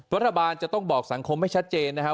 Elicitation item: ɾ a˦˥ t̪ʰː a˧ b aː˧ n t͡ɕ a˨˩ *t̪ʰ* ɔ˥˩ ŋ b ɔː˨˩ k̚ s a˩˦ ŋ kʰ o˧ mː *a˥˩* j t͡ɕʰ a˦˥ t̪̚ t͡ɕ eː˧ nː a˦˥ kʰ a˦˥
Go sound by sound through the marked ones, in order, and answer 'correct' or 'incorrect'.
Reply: incorrect, correct

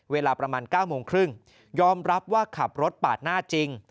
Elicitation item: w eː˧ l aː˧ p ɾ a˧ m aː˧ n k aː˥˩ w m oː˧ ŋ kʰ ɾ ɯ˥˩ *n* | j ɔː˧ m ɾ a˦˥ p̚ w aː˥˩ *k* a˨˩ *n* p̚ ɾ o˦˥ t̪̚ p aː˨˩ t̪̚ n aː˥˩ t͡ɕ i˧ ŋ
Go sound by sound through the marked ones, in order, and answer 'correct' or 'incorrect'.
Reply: incorrect, incorrect, incorrect

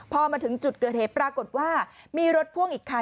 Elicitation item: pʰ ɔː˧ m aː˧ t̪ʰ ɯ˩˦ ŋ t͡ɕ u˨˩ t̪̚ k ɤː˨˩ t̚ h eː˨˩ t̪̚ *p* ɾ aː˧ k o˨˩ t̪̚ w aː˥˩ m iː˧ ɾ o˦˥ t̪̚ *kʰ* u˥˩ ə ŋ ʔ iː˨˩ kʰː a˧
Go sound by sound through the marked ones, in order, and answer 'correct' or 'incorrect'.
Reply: correct, incorrect

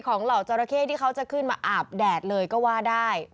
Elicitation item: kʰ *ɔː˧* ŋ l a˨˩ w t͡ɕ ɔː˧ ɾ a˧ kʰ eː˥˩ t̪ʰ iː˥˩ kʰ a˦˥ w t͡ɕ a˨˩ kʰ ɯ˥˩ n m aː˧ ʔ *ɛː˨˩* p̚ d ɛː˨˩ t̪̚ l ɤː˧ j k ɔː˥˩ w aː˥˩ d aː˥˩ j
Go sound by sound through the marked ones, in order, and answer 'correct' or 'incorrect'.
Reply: incorrect, incorrect

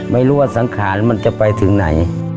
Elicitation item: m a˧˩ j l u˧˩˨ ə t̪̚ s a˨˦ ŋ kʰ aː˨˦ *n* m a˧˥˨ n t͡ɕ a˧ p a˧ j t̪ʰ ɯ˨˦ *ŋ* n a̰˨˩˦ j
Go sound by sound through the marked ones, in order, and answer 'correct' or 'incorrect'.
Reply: correct, correct

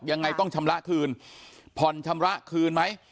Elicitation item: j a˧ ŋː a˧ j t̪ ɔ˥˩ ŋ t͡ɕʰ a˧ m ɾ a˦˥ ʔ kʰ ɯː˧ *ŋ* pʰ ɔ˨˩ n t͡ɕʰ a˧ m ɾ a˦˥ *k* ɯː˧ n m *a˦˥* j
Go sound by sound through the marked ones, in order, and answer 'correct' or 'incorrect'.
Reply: incorrect, incorrect, correct

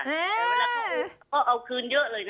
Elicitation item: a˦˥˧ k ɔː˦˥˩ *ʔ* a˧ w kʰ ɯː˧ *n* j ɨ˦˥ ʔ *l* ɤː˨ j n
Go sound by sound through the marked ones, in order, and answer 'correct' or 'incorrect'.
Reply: correct, correct, correct

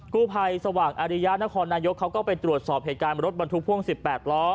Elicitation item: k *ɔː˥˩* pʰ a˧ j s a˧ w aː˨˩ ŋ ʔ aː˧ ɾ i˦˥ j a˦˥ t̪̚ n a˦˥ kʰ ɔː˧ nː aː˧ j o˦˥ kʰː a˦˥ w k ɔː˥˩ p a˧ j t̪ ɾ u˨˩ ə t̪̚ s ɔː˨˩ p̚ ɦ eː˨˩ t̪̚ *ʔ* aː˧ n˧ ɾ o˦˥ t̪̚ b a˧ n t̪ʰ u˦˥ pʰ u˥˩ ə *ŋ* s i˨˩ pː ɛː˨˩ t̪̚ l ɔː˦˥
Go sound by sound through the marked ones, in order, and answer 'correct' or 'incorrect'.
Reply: incorrect, incorrect, correct

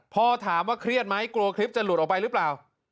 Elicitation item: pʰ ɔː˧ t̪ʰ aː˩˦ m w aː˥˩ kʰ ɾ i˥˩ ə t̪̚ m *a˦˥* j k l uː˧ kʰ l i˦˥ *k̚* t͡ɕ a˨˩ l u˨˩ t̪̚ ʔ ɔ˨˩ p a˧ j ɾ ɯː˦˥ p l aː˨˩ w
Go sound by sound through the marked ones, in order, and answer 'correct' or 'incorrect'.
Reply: correct, incorrect

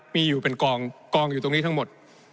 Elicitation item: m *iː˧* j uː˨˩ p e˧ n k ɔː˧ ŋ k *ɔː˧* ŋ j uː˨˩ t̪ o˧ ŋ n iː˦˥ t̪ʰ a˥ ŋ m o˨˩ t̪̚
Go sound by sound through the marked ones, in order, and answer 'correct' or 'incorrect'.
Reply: correct, correct

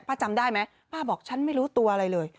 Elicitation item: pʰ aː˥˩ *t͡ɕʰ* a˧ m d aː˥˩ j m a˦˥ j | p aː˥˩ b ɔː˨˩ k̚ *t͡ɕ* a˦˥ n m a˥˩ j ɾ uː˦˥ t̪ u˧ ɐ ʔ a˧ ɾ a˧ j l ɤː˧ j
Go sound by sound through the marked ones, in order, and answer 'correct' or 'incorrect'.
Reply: incorrect, incorrect

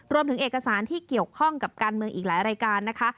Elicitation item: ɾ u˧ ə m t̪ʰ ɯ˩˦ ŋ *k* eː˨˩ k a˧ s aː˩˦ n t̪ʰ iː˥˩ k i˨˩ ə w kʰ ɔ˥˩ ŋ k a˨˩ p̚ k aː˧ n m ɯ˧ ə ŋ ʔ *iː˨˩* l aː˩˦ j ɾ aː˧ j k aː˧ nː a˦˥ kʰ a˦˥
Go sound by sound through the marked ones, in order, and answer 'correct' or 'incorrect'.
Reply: incorrect, correct

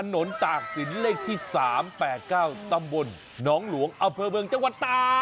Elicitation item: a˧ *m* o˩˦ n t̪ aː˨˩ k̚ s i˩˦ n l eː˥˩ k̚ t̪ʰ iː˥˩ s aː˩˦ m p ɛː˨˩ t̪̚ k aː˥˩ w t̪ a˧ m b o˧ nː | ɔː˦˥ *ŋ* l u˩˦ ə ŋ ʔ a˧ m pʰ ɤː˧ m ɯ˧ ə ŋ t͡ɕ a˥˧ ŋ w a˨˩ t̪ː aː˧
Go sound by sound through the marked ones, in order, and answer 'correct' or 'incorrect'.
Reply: incorrect, correct

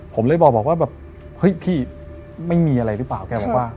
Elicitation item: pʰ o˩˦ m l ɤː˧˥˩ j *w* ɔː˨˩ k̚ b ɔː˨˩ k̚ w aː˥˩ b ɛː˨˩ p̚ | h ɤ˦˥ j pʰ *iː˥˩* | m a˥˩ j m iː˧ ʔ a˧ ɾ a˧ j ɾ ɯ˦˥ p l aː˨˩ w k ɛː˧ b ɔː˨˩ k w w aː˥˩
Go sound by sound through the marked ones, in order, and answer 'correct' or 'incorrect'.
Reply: incorrect, correct

